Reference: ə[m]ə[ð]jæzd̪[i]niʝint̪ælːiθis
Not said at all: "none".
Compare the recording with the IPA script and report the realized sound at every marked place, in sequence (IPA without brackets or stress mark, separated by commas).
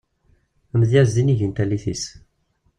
m, ð, i